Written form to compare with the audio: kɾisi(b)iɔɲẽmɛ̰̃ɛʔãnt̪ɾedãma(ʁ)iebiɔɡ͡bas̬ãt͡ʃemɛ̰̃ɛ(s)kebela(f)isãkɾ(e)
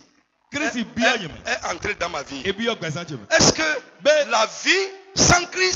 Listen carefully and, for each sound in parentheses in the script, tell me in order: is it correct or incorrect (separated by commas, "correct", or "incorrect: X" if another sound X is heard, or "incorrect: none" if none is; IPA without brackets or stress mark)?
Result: correct, incorrect: v, correct, incorrect: v, incorrect: i